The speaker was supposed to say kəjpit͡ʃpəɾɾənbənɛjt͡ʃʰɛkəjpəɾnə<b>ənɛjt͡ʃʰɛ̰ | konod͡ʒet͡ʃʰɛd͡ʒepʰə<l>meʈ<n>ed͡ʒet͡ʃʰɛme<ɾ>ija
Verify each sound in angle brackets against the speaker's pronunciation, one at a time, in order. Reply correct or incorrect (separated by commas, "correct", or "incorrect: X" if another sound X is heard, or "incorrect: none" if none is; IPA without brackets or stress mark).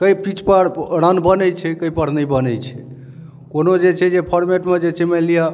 correct, incorrect: ɾ, incorrect: m, incorrect: l